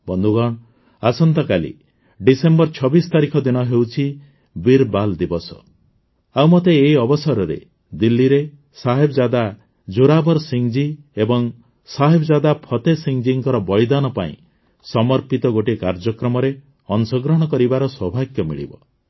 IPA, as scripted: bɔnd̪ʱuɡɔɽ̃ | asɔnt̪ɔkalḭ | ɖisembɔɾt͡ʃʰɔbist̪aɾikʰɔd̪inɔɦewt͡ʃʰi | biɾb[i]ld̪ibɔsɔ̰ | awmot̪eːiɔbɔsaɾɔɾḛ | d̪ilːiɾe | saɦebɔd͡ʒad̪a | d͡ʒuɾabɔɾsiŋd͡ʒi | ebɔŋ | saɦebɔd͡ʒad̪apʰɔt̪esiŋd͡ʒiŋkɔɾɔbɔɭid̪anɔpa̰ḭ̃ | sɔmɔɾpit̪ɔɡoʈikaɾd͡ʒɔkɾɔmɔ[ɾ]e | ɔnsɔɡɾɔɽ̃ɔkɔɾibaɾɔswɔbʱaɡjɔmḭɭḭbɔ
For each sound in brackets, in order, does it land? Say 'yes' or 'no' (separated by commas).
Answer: no, yes